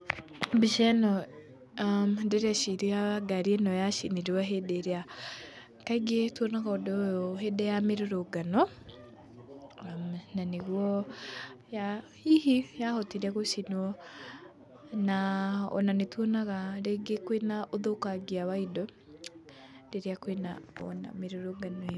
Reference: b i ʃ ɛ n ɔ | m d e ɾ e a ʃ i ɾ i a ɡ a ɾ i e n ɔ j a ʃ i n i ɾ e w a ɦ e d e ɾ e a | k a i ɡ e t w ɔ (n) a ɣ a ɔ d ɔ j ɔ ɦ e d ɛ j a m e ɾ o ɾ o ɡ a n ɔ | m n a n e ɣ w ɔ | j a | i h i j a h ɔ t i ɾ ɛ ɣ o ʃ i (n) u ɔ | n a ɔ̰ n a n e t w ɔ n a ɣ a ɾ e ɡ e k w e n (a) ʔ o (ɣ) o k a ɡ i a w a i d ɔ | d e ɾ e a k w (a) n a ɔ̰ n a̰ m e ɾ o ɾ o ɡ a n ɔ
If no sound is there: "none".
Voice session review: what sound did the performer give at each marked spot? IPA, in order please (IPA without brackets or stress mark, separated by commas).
n, n, a, ð, e